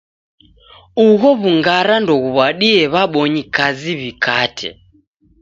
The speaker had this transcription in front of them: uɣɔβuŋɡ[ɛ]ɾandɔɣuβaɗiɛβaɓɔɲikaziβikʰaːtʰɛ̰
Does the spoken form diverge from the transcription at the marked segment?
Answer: yes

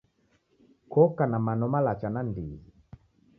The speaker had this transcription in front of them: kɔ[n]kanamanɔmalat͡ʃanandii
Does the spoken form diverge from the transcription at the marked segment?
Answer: yes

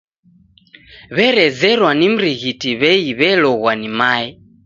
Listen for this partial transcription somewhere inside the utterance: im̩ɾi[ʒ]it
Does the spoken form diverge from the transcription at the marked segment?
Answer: yes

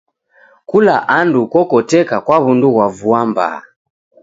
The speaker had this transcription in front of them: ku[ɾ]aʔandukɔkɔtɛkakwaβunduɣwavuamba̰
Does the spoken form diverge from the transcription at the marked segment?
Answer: yes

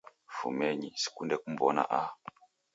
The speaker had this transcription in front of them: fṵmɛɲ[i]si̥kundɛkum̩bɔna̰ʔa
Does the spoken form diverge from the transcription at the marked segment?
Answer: no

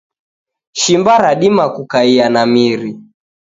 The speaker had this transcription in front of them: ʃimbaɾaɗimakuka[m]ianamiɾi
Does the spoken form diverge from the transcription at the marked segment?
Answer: yes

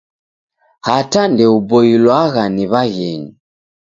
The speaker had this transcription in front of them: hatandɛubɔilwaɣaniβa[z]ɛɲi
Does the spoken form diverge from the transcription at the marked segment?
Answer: yes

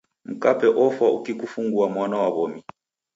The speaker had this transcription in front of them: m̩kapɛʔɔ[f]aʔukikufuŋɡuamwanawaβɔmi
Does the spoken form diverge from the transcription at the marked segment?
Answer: no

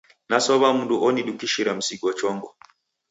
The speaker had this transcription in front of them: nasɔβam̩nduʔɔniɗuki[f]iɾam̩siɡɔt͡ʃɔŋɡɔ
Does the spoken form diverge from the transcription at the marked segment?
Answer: yes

